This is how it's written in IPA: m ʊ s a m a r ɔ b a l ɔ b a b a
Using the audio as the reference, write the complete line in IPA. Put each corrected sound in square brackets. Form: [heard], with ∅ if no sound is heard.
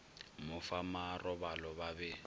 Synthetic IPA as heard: m ʊ [f] a m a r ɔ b a l ɔ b a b [ɛ]